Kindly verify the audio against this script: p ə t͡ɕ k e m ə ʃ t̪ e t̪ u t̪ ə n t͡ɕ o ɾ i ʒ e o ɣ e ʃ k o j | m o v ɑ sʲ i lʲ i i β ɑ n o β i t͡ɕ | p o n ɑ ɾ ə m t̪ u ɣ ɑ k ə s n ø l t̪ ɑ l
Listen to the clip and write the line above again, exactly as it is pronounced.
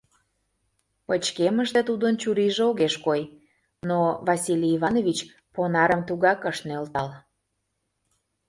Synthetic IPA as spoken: p ə t͡ɕ k e m ə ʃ t̪ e t̪ u d̪ ə n t͡ɕ u ɾ i ʒ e o ɣ e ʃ k o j | n o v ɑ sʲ i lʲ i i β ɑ n o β i t͡ɕ | p o n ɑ ɾ ə m t̪ u ɣ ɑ k ə ʃ n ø l t̪ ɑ l